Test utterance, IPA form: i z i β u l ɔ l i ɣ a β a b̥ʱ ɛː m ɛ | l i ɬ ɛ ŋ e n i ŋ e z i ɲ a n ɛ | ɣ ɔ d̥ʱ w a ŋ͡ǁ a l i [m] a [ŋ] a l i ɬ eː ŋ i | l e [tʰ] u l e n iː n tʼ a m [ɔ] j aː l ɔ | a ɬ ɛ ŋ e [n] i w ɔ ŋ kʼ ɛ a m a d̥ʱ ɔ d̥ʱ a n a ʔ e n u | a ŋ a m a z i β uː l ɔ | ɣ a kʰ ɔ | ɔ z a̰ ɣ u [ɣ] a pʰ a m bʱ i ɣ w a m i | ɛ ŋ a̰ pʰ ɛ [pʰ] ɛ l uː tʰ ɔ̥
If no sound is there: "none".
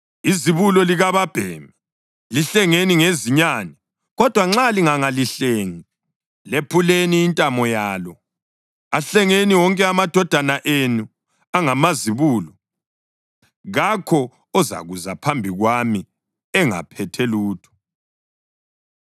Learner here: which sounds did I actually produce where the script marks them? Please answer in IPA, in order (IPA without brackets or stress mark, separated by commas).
ŋ, ŋ, pʰ, ɔ, n, z, tʰ